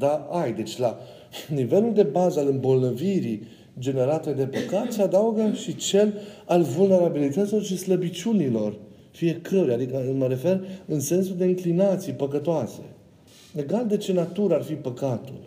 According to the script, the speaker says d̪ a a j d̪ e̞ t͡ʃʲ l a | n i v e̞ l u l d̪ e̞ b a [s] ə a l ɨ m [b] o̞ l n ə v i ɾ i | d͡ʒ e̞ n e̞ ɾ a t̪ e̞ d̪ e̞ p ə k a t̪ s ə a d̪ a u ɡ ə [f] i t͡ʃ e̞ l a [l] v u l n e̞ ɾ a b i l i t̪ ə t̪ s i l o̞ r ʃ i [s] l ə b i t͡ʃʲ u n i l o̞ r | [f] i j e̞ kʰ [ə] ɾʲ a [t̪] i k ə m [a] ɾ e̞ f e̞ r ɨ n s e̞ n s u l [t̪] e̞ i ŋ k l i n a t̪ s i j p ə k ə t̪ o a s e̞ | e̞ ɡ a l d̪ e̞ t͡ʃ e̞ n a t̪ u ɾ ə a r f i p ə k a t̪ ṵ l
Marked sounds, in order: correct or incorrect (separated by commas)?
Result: incorrect, correct, incorrect, correct, correct, correct, correct, incorrect, incorrect, incorrect